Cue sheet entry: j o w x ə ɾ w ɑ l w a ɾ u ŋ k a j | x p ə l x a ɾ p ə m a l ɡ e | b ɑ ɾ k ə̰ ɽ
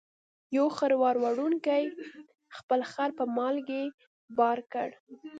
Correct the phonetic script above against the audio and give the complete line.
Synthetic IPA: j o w x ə ɾ w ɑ ɾ w a ɽ u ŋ k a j | x p ə l x a ɾ p ə m ɑ l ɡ e | b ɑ ɾ k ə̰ ɽ